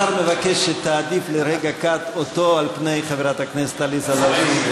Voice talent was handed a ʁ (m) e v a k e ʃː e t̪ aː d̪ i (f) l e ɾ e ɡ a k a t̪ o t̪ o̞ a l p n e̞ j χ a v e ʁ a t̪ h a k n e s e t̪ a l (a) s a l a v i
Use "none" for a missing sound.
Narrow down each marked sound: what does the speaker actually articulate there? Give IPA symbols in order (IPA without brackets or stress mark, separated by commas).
m, f, i